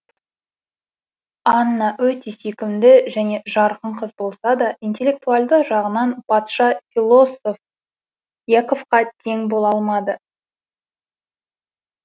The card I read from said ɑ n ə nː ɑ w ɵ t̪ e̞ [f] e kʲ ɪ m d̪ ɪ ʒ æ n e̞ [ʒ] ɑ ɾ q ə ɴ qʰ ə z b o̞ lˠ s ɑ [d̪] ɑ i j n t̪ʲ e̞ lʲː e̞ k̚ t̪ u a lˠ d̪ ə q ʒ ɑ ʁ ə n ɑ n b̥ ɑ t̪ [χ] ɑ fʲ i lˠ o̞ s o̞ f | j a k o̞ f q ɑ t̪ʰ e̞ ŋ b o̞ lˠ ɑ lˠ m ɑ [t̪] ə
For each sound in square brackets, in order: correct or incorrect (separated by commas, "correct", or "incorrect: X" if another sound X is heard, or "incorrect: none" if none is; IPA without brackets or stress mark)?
incorrect: s, correct, correct, incorrect: ʃ, incorrect: d̪